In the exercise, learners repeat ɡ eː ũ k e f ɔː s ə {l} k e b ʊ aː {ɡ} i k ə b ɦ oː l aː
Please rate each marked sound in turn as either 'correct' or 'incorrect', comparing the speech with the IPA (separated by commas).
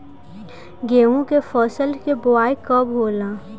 correct, incorrect